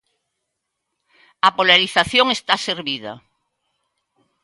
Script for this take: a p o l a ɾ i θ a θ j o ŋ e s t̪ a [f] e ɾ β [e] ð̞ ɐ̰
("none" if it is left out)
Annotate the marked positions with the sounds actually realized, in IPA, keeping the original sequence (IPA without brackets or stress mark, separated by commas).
s, i